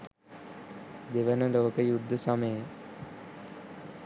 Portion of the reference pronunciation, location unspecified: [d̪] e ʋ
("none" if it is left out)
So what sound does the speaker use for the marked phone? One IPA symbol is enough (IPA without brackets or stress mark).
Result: d̪